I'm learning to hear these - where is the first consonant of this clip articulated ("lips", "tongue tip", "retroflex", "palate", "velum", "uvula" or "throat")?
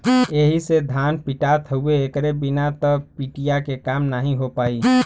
throat